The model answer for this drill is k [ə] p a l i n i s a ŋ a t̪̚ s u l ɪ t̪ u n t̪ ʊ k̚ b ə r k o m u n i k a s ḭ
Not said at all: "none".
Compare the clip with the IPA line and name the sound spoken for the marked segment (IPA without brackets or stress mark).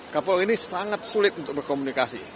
a